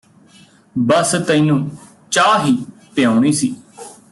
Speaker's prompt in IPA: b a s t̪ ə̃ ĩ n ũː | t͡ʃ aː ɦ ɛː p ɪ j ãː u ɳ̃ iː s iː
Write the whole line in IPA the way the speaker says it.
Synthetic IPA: b ə s t̪ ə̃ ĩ n ũː | t͡ʃ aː ɦ iː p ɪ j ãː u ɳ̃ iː s iː